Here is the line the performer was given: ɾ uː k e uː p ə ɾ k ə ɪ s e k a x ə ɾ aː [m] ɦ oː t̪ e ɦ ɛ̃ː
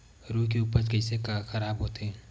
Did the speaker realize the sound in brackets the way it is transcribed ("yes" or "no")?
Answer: no